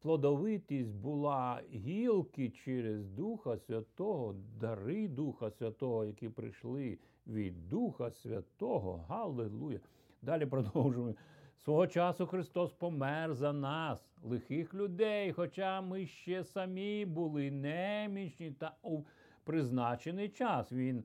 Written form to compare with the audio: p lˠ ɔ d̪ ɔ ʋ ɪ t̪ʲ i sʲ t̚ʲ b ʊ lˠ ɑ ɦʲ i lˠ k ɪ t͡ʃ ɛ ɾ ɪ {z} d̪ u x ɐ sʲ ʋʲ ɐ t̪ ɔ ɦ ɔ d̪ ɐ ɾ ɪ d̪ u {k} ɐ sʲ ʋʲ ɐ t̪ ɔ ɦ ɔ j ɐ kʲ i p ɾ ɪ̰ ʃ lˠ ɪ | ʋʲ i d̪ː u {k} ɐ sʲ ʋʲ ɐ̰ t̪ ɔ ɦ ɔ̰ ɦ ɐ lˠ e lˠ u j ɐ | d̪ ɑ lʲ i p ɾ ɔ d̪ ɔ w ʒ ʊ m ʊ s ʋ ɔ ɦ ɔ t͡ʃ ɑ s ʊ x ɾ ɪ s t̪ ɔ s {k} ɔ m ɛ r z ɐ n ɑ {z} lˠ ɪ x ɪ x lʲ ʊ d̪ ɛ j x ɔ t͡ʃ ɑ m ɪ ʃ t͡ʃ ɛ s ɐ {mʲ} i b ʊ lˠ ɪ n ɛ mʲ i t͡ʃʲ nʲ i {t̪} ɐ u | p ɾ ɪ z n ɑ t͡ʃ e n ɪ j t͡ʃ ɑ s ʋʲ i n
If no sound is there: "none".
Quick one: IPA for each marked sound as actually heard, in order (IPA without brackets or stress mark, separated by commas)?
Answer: z, x, x, p, s, mʲ, t̪